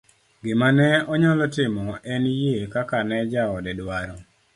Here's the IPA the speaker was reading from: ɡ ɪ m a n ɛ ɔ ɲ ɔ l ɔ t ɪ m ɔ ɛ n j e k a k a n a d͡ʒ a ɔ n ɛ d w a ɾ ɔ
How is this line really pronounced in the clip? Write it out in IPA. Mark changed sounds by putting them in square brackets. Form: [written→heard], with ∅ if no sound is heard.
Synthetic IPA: ɡ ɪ m a n ɛ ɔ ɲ ɔ l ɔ t ɪ m ɔ ɛ n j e k a k a n [a→ɛ] d͡ʒ a ɔ [n→d] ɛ d w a ɾ ɔ